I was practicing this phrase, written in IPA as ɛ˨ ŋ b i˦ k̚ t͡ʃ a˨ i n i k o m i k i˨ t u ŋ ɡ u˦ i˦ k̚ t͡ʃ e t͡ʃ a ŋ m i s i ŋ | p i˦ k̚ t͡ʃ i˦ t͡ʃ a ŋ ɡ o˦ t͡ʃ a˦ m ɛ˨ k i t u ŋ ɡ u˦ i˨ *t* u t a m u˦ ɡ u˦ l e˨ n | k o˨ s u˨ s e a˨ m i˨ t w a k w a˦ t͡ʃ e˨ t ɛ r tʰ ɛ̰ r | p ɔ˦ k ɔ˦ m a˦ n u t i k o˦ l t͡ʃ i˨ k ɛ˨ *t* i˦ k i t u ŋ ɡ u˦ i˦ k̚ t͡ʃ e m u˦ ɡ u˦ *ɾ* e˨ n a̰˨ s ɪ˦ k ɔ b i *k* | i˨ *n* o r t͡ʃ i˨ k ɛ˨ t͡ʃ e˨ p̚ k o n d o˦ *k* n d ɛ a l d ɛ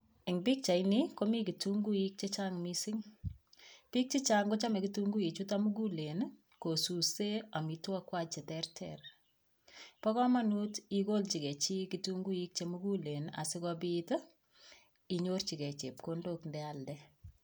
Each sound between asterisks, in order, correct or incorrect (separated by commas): incorrect, incorrect, incorrect, incorrect, incorrect, correct